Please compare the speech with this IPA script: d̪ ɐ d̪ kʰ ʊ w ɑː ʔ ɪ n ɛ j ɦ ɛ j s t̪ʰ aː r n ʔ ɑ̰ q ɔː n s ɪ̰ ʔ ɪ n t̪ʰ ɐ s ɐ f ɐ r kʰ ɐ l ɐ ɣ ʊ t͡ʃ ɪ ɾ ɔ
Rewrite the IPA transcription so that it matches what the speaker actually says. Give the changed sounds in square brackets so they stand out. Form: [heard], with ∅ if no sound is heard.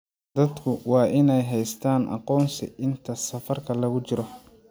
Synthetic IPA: d̪ ɐ d̪ kʰ ʊ w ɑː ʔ ɪ n ɛ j ɦ ɛ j s t̪ʰ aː [∅] n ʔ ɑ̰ q ɔː n s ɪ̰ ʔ ɪ n t̪ʰ ɐ s ɐ f ɐ r kʰ ɐ l ɐ ɣ ʊ t͡ʃ ɪ ɾ ɔ